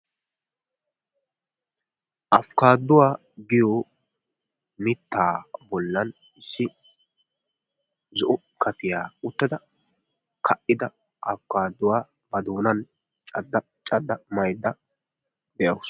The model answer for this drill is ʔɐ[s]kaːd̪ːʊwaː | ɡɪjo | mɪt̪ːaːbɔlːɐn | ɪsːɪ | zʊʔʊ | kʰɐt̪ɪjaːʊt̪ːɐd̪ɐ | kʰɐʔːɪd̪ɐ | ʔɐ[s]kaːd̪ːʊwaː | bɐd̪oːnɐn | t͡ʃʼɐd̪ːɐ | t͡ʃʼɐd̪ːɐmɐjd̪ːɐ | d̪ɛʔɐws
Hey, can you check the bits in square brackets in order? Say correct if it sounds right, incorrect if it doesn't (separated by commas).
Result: incorrect, incorrect